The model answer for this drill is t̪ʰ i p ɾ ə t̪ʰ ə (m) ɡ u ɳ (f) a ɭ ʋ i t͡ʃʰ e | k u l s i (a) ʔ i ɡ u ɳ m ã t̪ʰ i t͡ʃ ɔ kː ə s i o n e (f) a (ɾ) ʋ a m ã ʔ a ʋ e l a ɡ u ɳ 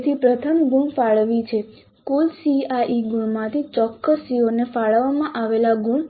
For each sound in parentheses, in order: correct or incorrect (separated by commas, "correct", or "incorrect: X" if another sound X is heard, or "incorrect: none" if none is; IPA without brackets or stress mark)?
correct, correct, correct, correct, incorrect: ɭ